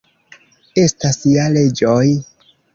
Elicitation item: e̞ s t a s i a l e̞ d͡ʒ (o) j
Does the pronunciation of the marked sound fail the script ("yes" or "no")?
no